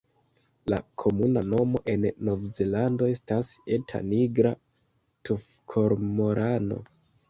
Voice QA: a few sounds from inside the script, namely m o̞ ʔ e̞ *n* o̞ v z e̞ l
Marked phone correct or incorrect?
incorrect: nː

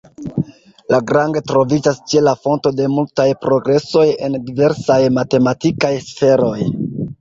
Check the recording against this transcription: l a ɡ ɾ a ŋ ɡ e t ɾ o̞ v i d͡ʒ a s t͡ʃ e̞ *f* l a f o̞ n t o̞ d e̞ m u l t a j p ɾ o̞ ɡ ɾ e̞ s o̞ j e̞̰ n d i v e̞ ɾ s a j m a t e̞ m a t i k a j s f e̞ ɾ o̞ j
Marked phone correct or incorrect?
incorrect: none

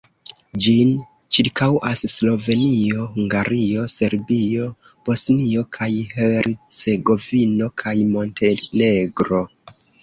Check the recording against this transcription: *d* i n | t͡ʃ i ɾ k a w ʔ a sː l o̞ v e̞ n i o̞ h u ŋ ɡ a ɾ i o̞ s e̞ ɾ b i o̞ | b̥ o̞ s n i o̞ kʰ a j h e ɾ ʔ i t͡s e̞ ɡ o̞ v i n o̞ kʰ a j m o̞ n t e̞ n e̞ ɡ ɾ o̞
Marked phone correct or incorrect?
incorrect: d͡ʒ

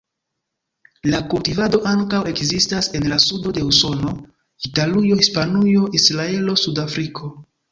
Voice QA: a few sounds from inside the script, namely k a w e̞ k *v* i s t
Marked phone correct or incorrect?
incorrect: z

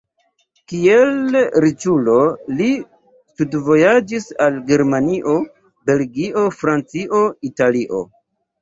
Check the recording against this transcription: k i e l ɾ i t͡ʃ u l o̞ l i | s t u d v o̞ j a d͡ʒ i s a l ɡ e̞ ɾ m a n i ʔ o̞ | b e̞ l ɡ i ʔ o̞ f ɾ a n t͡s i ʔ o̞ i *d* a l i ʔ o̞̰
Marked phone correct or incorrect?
incorrect: t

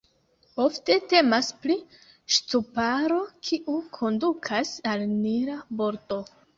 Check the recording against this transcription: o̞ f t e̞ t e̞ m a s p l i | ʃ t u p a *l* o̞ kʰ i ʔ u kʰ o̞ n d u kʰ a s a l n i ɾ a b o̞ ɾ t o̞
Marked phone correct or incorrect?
incorrect: ɾ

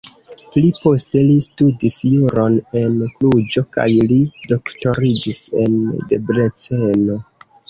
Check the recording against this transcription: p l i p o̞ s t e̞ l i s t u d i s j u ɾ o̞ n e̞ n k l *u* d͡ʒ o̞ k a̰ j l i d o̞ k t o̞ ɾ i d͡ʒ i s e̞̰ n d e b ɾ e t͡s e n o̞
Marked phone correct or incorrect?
correct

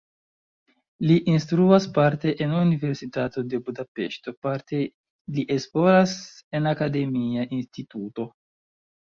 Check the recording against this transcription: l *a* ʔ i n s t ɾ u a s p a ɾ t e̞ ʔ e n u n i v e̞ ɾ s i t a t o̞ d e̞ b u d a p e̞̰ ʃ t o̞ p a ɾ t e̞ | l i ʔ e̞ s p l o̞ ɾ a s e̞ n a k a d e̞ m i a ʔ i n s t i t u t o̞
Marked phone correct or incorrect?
incorrect: i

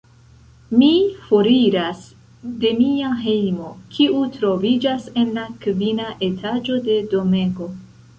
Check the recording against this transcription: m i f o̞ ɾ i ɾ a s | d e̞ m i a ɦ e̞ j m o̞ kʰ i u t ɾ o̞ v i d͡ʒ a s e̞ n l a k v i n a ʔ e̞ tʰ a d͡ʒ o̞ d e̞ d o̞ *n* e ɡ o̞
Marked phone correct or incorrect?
incorrect: m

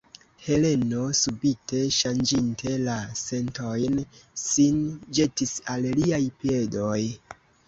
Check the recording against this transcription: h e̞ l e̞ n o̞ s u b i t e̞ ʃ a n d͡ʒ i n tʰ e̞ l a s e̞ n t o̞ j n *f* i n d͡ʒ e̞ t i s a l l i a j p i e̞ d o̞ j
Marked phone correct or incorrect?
incorrect: s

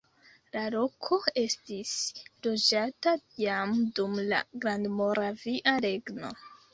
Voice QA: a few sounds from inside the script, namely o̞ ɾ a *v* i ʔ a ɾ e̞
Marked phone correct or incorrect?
correct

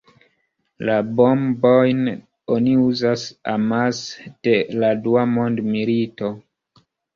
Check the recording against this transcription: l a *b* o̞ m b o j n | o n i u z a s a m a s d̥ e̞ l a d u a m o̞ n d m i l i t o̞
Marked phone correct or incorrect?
correct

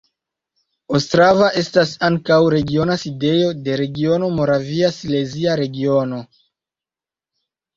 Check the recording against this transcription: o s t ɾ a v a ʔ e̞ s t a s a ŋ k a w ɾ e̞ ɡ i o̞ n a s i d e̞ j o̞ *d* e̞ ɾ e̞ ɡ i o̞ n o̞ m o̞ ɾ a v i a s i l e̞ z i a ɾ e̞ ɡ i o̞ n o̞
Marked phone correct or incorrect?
correct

